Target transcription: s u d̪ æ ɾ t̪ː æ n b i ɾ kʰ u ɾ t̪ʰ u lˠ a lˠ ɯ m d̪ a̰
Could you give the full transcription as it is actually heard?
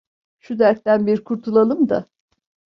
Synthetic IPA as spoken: ʃ u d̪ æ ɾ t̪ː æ n b i ɾ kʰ u ɾ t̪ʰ u lˠ a lˠ ɯ m d̪ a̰